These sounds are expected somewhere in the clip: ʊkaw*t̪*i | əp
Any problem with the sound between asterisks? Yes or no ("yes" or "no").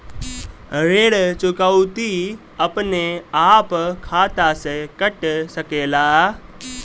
no